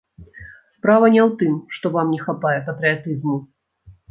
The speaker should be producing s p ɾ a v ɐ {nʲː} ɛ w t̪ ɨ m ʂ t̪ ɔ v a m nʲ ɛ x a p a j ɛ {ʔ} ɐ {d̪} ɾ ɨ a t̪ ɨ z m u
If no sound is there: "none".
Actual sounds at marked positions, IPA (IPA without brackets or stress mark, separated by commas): nʲ, p, t̪